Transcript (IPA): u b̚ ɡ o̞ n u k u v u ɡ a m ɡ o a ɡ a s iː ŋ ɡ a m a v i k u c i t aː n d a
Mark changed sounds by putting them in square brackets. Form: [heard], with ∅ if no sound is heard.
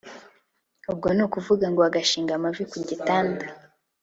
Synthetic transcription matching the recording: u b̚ ɡ o̞ n u k u v u ɡ a [ŋ] ɡ o a ɡ a [ʃ] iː ŋ ɡ a m a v i k u [ɟ] i t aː n d a